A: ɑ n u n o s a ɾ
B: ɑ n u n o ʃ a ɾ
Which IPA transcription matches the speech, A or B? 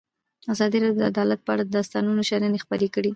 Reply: B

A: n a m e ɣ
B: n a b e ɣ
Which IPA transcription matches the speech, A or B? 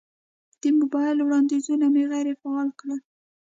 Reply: A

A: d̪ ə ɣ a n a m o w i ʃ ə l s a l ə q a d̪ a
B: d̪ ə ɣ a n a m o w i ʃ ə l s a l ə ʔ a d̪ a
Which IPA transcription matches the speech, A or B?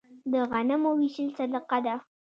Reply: A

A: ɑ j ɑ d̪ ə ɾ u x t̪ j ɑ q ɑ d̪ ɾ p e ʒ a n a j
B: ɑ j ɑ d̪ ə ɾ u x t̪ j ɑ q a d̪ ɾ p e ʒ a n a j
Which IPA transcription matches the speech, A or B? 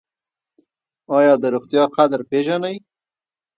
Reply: B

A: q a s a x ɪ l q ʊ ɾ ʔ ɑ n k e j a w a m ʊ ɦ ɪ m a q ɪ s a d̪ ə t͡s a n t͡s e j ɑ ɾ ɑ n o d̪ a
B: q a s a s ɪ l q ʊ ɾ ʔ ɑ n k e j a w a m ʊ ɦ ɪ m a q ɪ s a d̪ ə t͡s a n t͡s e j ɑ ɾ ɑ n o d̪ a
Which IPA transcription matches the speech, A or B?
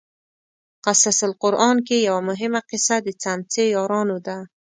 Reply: B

